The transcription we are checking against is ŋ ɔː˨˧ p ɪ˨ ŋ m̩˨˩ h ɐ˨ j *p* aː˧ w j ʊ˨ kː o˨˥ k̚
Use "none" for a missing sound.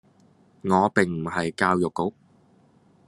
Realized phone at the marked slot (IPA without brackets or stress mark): k